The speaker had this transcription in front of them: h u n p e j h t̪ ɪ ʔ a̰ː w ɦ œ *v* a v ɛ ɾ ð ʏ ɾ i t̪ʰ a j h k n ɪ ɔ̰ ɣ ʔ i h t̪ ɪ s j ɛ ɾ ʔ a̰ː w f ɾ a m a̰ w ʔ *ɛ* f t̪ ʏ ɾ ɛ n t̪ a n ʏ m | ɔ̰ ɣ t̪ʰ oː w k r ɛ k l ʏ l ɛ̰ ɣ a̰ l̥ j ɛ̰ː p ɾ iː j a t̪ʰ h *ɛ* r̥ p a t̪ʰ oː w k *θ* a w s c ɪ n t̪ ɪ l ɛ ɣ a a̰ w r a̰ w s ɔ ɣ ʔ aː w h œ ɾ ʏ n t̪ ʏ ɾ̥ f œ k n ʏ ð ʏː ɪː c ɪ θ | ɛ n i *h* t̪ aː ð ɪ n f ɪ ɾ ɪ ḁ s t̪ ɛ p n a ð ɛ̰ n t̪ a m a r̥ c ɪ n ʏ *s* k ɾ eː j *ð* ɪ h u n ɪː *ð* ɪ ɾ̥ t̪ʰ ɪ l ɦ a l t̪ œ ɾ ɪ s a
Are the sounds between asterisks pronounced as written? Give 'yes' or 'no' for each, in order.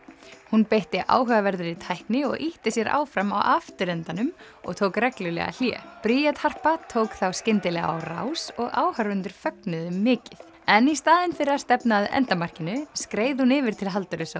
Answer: no, no, no, yes, no, yes, yes, no

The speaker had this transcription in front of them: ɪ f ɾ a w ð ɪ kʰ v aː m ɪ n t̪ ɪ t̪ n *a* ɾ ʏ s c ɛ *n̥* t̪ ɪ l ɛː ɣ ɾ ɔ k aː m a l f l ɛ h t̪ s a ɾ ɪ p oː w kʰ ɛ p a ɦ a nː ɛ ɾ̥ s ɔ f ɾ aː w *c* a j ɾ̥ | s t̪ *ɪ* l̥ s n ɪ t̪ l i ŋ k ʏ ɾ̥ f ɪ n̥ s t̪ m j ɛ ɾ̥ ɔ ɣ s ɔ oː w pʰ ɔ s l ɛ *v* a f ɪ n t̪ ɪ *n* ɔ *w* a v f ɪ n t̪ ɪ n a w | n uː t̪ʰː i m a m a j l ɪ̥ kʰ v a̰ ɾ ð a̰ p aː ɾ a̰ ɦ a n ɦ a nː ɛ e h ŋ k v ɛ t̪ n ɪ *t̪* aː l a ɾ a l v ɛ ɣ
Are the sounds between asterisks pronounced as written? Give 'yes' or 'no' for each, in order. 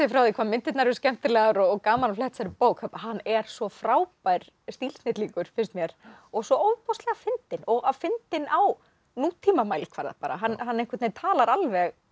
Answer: yes, no, no, no, no, yes, no, no

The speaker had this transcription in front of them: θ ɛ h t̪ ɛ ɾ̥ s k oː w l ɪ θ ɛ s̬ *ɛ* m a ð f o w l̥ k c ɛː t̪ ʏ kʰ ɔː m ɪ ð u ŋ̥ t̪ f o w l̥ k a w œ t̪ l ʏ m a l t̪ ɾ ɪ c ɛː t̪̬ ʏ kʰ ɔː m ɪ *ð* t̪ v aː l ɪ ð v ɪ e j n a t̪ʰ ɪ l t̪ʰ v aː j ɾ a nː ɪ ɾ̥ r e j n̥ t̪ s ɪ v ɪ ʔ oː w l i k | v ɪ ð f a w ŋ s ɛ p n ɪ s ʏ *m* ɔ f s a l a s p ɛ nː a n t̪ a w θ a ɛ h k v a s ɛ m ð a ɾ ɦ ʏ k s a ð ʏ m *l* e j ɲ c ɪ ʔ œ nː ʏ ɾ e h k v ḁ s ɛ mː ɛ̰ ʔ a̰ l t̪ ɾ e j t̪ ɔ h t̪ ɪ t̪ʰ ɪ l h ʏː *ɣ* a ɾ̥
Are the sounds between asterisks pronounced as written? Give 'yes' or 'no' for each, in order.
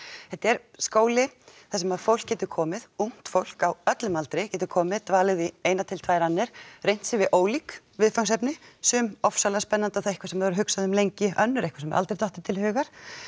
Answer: yes, yes, yes, yes, yes

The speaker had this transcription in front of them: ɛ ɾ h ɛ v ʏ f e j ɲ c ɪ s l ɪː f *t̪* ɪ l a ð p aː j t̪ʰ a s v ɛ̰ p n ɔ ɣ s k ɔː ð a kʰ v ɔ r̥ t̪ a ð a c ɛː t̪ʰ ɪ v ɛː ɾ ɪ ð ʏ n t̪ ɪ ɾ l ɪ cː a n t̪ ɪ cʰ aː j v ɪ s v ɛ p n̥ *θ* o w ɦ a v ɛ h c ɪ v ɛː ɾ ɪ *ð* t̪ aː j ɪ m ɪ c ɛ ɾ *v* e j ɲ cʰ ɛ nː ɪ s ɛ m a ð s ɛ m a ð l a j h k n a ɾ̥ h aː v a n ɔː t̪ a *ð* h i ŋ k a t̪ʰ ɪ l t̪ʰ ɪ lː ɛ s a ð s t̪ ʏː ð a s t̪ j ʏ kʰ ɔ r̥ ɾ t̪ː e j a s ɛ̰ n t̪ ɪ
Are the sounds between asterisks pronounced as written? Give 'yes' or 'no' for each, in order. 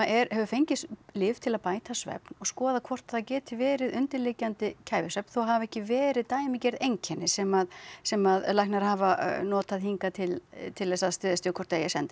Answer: no, yes, yes, no, yes

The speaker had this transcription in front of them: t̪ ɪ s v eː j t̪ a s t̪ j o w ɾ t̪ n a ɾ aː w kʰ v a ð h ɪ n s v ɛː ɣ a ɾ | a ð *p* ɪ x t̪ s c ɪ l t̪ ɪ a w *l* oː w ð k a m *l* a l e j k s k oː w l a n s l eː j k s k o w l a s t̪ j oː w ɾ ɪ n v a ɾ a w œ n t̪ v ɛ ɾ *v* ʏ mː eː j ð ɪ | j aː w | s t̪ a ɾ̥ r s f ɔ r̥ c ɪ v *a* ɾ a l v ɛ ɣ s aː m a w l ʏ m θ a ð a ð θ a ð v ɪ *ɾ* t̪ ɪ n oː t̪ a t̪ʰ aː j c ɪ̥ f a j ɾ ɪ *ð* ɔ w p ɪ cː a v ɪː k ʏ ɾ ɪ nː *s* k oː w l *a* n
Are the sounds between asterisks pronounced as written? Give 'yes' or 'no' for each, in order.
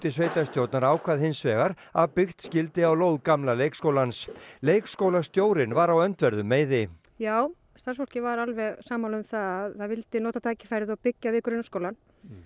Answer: yes, yes, yes, no, yes, no, yes, yes, yes

